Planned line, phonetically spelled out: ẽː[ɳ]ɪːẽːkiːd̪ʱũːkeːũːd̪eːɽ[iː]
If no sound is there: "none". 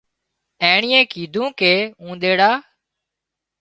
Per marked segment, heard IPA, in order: ɳ, aː

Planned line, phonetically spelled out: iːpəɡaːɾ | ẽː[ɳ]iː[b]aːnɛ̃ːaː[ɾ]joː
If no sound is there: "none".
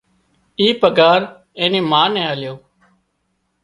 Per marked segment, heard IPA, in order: n, m, l

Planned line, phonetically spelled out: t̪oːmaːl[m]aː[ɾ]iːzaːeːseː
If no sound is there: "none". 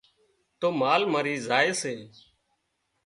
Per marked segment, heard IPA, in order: m, ɾ

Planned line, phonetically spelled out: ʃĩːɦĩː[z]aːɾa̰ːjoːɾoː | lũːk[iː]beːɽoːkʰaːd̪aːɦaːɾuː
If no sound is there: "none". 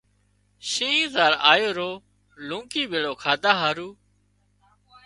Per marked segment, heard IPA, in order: z, iː

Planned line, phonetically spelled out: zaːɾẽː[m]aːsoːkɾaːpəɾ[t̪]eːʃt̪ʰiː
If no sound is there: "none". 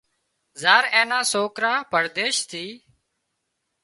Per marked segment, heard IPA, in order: n, d̪

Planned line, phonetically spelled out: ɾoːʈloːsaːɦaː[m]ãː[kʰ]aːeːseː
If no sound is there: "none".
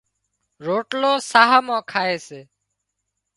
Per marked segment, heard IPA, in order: m, kʰ

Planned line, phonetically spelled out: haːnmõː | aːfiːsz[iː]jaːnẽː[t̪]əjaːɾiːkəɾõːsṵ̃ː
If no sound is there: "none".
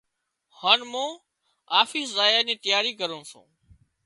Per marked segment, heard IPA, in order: aː, t̪

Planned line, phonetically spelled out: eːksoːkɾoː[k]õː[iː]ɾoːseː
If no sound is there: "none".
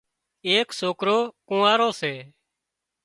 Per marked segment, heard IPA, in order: k, aː

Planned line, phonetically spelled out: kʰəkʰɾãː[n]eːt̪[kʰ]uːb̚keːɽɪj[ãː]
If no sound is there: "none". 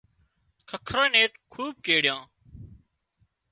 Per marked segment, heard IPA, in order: n, kʰ, ãː

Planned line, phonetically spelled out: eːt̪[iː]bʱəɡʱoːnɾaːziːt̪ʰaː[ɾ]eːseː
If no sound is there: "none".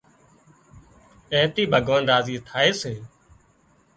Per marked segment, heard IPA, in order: iː, none

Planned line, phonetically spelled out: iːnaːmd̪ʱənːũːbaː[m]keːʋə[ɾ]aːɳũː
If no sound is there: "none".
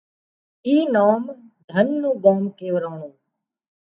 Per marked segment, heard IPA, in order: m, ɾ

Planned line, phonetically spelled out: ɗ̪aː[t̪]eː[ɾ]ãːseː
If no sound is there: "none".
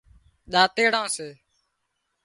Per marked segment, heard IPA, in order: t̪, ɽ

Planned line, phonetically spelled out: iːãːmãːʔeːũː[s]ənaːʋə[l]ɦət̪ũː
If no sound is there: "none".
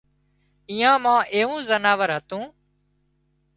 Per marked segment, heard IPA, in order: z, ɾ

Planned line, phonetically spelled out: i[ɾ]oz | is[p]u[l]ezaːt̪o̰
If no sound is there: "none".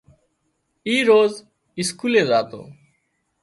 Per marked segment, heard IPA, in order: ɾ, k, l

